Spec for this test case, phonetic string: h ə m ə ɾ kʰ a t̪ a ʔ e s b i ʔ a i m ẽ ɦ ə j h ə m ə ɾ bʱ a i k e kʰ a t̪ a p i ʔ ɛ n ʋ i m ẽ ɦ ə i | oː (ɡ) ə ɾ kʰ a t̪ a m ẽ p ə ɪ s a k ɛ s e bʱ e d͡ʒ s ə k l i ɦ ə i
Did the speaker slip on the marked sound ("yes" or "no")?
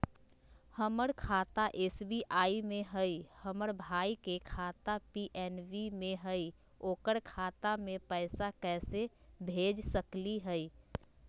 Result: yes